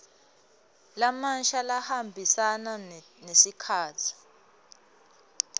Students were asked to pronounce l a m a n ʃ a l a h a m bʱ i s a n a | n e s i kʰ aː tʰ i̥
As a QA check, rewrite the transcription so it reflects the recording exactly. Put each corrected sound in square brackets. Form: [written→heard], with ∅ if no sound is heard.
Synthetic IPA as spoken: l a m a n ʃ a l a h a m bʱ i s a n a | n e s i kʰ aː tʰ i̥